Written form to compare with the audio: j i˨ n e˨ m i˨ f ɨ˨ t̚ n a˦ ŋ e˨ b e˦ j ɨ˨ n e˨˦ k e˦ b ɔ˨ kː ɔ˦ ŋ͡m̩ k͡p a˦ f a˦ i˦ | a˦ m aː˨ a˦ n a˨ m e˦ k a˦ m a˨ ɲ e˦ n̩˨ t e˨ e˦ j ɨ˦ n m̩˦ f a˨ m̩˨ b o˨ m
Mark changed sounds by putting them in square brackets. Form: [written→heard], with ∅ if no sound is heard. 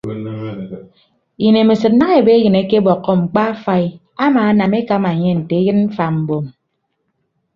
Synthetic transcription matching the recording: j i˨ n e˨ m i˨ [f→s] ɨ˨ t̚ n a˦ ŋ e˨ b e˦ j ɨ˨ n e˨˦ k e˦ b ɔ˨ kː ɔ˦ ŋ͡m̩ k͡p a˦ f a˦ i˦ | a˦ m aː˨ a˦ n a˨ m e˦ k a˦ m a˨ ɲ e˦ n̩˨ t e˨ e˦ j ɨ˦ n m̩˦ f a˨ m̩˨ b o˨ m